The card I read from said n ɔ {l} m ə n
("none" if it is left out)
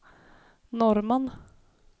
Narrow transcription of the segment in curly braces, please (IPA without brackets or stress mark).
ɾ